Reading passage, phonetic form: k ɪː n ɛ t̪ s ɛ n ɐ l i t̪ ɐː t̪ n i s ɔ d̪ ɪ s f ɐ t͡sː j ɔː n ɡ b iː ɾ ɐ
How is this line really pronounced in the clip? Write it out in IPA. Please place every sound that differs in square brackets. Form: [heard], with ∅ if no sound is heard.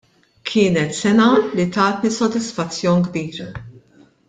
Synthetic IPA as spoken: [kʰ] ɪː n ɛ t̪ s ɛ n ɐ l i t̪ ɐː t̪ n i s ɔ d̪ ɪ s f ɐ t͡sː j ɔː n ɡ b iː ɾ ɐ